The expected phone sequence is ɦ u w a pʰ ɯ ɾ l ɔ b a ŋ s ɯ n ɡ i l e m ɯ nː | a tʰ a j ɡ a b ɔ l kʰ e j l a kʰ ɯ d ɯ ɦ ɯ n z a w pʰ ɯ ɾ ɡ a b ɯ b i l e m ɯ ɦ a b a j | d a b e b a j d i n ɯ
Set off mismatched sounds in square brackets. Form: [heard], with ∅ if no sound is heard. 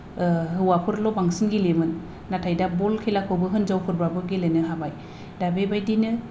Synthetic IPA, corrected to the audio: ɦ [ɯ] w a pʰ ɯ ɾ l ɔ b a ŋ s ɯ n ɡ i l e m ɯ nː | a tʰ a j [d] a b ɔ l kʰ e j l a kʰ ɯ [b] ɯ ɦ ɯ n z a w pʰ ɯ ɾ [b] a b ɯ [ɡ] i l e [n] ɯ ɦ a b a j | d a b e b a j d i n ɯ